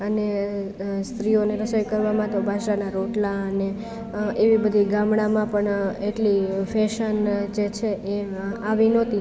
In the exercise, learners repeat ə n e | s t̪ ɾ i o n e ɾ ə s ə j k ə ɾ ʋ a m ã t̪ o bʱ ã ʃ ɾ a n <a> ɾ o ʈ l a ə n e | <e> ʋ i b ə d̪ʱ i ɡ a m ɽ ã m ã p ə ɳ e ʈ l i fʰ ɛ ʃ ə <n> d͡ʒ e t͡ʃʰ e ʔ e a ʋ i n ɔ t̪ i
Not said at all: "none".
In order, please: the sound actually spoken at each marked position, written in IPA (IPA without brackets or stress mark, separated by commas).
a, e, n